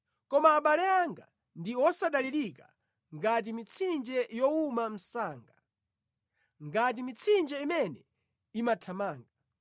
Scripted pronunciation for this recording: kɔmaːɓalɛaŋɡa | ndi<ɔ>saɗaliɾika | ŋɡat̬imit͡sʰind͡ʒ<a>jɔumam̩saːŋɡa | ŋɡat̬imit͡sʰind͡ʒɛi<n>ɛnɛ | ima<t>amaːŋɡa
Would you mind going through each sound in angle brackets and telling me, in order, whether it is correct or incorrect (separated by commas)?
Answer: correct, incorrect, incorrect, incorrect